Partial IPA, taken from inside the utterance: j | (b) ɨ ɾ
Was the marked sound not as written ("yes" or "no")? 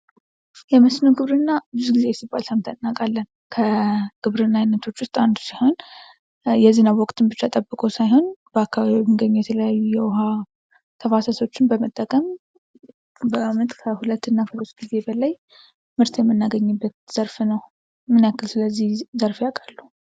yes